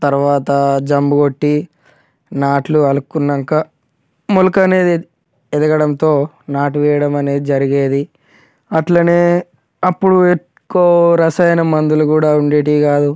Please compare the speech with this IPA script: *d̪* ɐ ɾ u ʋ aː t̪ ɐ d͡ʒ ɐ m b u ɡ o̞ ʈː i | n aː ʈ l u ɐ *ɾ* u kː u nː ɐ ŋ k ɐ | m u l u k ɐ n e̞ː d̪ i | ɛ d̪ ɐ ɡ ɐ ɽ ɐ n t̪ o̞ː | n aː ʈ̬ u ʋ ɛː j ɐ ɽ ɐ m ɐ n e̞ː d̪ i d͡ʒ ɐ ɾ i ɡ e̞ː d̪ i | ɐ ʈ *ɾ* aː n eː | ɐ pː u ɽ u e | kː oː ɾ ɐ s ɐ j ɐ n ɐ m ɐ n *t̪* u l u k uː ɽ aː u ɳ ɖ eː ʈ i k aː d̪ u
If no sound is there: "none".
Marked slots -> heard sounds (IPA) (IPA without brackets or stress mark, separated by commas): t̪, l, l, d̪